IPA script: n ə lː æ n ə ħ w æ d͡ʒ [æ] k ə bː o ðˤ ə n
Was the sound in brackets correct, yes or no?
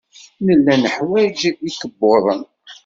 no